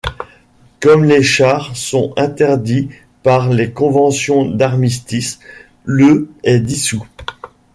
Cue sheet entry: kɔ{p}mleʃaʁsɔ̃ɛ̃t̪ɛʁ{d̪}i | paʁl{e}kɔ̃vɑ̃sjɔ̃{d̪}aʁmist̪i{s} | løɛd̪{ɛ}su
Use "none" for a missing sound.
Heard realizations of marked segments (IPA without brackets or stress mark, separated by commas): none, d̪, e, d̪, s, i